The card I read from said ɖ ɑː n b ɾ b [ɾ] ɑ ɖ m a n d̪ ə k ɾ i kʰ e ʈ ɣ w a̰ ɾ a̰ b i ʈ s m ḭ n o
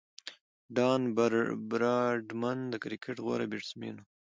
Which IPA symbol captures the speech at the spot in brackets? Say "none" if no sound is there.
ɾ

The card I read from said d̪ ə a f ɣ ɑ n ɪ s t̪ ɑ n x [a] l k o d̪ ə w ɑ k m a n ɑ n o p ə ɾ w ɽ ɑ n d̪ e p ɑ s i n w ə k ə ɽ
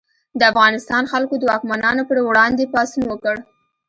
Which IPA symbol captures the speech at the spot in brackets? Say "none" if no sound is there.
a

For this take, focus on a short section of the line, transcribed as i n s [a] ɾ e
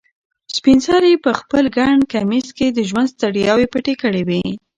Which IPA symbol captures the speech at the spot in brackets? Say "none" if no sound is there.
ɑ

